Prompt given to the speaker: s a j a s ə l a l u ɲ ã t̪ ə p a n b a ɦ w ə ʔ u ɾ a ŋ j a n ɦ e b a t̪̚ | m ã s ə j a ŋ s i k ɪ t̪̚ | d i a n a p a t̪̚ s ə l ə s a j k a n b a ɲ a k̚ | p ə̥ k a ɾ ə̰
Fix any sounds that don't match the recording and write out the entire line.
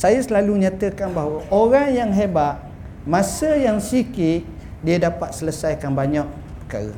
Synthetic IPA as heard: s a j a s ə l a l u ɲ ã t̪ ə k a n b a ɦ w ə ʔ o ɾ a ŋ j a ŋ ɦ e b a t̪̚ | m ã s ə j a ŋ s i k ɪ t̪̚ | d i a d a p a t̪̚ s ə l ə s a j k a n b a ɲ a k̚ | p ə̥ k a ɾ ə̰